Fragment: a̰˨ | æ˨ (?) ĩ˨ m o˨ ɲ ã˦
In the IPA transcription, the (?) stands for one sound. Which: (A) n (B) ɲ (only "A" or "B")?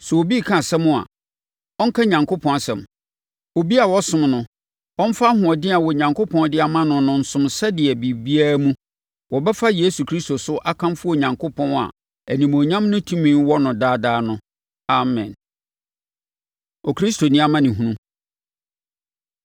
A